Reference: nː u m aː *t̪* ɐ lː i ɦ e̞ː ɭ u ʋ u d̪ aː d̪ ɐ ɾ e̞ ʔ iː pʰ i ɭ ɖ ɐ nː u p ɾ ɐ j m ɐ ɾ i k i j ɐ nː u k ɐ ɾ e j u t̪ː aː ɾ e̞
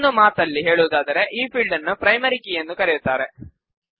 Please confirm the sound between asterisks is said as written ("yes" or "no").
yes